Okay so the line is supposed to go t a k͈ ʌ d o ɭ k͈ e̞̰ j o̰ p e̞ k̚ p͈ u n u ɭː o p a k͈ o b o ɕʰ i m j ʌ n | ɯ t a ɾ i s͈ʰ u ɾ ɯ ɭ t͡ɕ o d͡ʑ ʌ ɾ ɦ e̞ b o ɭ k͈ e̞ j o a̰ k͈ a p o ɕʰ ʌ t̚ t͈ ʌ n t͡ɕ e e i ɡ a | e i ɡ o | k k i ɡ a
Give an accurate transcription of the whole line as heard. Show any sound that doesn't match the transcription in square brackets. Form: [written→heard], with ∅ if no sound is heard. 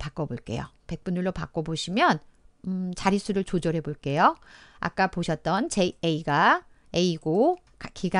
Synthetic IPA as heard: [t→p] a k͈ ʌ [d→b] o ɭ k͈ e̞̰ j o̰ p e̞ k̚ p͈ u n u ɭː o p a k͈ o b o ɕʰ i m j ʌ n | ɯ [t→t͡ɕ] a ɾ i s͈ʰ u ɾ ɯ ɭ t͡ɕ o d͡ʑ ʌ ɾ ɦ e̞ b o ɭ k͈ e̞ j o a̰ k͈ a p o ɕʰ ʌ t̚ t͈ ʌ n t͡ɕ e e i ɡ a | e i ɡ o | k k i ɡ a